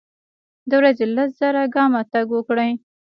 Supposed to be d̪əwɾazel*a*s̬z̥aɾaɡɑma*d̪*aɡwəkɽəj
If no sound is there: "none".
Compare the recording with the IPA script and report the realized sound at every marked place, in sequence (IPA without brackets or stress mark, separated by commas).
a, t̪